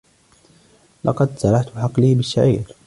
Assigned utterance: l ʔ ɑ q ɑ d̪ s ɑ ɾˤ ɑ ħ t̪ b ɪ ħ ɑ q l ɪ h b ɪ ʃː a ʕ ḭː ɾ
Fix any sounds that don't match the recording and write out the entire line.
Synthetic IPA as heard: l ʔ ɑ q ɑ d̪ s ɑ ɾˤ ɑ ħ t̪ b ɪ ħ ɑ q l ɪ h b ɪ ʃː a ʕ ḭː ɾ